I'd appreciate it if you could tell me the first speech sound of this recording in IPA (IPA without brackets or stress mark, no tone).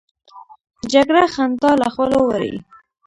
d͡ʒ